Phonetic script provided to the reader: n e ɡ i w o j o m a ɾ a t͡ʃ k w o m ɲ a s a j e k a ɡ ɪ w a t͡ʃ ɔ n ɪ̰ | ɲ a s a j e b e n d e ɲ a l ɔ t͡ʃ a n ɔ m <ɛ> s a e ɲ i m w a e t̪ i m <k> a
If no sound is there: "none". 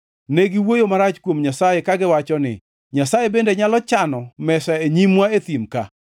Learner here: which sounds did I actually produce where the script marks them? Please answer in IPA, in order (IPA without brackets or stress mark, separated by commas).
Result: ɛ, k